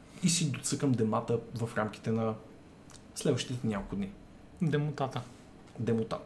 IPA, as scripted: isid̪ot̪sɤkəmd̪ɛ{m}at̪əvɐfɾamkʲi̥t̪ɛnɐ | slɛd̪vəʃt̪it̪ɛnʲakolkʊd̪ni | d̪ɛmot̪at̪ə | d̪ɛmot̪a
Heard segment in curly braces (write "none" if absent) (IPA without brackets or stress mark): m